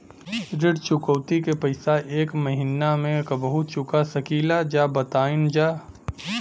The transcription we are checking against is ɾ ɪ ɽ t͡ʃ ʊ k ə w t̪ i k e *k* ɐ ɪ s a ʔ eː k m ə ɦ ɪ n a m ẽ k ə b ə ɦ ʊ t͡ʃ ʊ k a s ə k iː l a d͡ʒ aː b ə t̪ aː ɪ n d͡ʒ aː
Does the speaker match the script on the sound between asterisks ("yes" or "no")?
no